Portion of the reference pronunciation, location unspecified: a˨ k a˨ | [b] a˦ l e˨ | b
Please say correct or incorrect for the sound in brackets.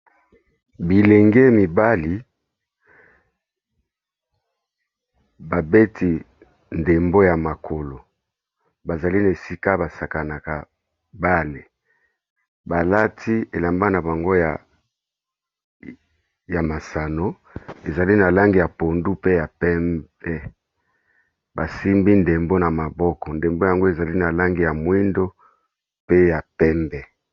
correct